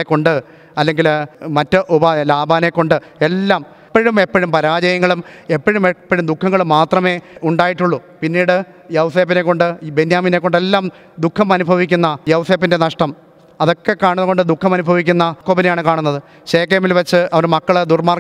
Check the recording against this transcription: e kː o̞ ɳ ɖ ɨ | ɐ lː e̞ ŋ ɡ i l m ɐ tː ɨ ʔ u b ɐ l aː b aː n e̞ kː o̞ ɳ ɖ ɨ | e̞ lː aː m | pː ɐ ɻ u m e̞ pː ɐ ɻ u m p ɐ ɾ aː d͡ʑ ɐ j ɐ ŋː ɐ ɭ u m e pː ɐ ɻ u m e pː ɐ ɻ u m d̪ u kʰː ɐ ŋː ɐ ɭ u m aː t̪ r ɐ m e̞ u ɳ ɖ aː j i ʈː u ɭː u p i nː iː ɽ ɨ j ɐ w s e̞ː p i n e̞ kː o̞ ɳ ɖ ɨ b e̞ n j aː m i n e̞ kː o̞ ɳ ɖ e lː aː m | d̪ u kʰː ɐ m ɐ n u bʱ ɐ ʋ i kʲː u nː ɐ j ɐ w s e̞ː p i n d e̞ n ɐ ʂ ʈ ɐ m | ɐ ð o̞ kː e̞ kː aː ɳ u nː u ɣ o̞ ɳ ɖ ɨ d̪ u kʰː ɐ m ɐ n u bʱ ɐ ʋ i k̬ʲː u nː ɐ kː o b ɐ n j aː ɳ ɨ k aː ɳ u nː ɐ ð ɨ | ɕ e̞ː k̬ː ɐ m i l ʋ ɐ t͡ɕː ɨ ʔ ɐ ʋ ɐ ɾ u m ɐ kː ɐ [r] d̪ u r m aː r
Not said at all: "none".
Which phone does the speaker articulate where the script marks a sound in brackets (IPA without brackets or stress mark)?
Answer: ɭ